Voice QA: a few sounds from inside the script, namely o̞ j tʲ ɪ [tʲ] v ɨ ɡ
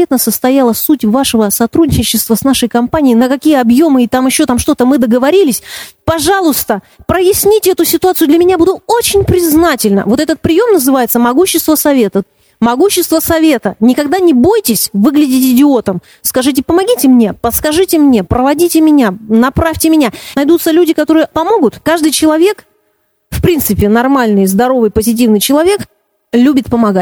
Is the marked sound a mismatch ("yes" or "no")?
yes